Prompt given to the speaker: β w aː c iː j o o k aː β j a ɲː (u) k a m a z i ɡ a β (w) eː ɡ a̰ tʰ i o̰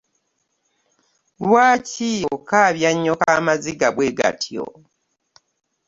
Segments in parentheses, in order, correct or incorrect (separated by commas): incorrect, correct